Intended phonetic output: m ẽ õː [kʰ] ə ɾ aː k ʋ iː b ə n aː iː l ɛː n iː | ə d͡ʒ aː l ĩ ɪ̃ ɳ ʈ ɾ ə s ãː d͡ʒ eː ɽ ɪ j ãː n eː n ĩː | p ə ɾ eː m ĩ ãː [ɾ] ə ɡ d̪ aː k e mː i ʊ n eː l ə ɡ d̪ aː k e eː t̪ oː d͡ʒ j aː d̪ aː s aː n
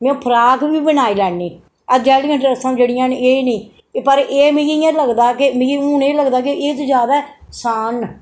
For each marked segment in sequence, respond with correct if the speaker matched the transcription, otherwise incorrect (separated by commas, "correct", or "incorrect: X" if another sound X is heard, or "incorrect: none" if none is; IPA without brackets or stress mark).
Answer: incorrect: pʰ, incorrect: l